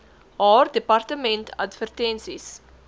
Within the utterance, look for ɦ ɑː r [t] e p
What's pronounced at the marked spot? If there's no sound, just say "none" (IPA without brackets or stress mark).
d